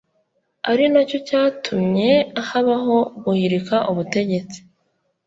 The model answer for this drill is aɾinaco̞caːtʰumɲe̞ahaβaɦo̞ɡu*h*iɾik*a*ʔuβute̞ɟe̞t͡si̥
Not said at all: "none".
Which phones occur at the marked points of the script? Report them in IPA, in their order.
h, a

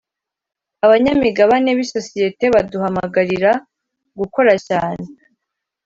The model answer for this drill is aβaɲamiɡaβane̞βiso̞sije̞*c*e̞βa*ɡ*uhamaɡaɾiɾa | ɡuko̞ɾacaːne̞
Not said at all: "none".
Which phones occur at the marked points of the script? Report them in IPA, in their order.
t, d

